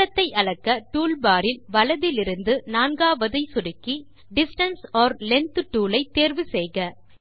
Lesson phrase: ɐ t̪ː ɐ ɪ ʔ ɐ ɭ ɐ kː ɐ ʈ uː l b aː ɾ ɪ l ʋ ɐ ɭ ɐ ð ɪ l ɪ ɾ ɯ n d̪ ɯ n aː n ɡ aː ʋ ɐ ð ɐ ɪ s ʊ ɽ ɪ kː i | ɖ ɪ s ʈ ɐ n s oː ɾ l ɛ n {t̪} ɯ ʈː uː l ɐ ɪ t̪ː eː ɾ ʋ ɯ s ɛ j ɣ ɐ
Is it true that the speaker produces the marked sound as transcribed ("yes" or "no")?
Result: yes